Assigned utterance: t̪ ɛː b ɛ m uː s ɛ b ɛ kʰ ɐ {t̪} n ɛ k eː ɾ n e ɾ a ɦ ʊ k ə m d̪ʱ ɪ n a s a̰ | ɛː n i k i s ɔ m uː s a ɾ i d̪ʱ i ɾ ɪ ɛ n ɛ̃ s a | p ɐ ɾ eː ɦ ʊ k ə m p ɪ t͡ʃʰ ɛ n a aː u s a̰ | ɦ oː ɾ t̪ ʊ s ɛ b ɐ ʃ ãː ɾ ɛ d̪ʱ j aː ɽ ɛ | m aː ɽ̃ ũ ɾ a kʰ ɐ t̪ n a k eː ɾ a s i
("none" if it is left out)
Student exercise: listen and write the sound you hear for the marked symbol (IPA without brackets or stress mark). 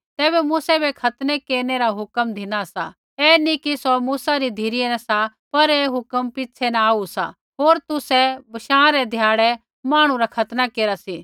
t̪